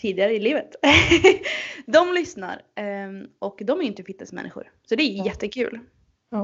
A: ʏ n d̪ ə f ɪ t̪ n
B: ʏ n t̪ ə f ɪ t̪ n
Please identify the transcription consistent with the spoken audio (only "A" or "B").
B